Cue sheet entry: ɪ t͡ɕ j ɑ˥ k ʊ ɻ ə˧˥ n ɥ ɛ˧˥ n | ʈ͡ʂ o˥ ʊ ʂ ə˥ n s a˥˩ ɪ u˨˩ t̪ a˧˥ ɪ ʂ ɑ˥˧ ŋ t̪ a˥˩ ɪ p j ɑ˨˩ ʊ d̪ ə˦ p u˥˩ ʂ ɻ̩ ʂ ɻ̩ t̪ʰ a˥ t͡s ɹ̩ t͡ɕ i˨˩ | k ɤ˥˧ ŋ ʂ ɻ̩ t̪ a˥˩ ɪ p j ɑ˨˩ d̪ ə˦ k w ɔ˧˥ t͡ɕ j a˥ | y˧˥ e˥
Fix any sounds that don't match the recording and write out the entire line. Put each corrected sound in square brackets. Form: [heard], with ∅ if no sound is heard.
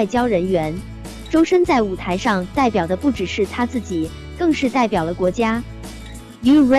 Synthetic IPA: ɪ t͡ɕ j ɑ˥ [∅] ʊ ɻ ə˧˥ n ɥ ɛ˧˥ n | ʈ͡ʂ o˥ ʊ ʂ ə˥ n [t͡s] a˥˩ ɪ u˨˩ [t̪ʰ] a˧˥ ɪ ʂ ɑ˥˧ ŋ t̪ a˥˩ ɪ p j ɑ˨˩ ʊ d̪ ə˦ p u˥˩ [ʈ͡ʂ] ɻ̩ ʂ ɻ̩ t̪ʰ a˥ t͡s ɹ̩ t͡ɕ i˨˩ | k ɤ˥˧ ŋ ʂ ɻ̩ t̪ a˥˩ ɪ p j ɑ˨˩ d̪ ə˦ k w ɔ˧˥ t͡ɕ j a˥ | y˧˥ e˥